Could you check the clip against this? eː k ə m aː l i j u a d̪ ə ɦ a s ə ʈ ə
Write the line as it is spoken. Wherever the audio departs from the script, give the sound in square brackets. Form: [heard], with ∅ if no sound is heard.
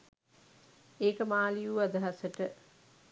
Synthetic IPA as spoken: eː k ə m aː l i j u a d̪ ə ɦ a s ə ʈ ə

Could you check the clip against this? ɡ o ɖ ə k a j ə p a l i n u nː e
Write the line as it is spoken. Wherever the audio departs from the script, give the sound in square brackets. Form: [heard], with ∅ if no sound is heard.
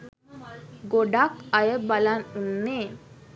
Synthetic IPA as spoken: ɡ o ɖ [a] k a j ə [b] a l [a] n u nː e

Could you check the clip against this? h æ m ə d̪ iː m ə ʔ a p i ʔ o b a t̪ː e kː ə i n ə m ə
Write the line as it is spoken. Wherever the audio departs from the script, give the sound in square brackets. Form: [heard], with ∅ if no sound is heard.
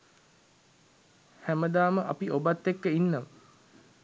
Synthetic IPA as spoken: h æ m ə d̪ [aː] m ə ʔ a p i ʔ o b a t̪ː e kː ə i [nː] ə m ə

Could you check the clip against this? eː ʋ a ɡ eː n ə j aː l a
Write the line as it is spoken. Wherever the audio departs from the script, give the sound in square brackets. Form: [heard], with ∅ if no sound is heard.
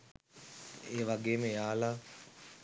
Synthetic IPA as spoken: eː ʋ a ɡ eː [m] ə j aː l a

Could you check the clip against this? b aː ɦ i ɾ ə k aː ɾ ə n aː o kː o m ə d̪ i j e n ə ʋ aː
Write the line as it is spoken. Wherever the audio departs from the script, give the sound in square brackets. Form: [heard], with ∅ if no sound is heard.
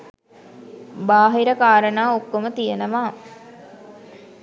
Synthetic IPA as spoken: b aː ɦ i ɾ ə k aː ɾ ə n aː o kː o m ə [t̪] i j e n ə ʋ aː

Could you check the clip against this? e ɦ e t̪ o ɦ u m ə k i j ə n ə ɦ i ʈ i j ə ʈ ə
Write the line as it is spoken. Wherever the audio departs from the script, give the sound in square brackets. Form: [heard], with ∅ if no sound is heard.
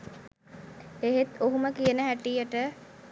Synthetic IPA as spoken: e ɦ e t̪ o ɦ u m ə k i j ə n ə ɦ [æ] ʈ i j ə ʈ ə

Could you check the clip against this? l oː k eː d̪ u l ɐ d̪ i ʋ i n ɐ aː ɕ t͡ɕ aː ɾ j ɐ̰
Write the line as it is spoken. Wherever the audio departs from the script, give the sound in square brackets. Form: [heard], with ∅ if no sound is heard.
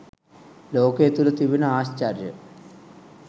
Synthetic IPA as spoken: l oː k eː [t̪] u l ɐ [t̪] i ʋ i n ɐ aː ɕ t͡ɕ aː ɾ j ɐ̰

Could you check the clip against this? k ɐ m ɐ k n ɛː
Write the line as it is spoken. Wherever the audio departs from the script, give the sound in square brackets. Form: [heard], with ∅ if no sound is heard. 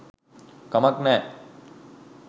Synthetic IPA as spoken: k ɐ m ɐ k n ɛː

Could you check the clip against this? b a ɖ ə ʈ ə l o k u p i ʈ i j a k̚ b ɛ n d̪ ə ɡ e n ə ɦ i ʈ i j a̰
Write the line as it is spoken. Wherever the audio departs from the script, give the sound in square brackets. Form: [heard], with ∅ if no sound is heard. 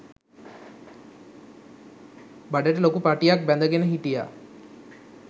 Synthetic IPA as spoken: b a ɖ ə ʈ ə l o k u p [a] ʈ i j a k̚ b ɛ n d̪ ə ɡ e n ə ɦ i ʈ i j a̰

